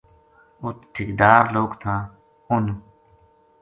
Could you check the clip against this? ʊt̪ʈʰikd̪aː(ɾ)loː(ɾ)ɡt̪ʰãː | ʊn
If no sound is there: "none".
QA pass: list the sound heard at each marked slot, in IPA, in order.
ɾ, none

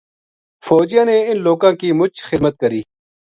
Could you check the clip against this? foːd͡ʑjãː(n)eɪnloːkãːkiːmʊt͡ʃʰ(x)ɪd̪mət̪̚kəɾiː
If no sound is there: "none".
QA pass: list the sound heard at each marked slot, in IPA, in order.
n, x

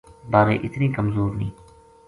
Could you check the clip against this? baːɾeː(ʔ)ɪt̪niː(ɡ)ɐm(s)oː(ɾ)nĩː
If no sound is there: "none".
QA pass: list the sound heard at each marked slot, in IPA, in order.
ʔ, k, z, ɾ

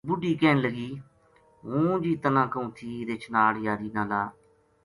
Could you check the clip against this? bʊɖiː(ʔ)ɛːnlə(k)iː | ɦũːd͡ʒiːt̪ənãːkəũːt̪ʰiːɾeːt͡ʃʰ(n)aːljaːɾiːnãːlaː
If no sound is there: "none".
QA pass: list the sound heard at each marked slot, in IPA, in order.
k, ɡ, n

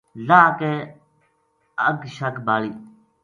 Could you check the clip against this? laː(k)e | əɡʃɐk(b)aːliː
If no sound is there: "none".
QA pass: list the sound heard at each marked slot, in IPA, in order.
k, b

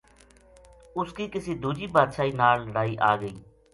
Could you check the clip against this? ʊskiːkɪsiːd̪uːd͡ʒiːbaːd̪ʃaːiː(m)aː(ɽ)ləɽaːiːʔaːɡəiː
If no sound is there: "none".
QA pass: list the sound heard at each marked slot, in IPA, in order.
n, l

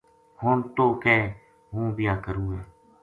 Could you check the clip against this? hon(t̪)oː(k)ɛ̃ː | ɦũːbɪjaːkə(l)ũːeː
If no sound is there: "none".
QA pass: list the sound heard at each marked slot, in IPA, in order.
t̪, k, ɾ

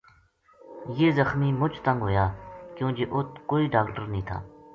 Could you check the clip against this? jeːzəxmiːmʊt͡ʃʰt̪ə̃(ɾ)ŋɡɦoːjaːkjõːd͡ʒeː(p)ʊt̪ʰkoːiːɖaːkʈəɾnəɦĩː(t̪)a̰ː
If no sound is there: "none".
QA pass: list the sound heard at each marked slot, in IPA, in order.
none, ʔ, t̪ʰ

